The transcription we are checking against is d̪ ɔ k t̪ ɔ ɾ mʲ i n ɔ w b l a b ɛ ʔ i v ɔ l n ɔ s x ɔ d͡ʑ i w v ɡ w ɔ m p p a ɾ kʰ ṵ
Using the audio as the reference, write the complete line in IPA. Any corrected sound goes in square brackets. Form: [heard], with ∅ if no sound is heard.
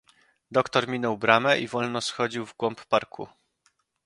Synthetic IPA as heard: d̪ ɔ k t̪ ɔ ɾ mʲ i n ɔ w b [ɾ] a [m] ɛ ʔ i v ɔ l n ɔ s x ɔ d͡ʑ i w v ɡ w ɔ m p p a ɾ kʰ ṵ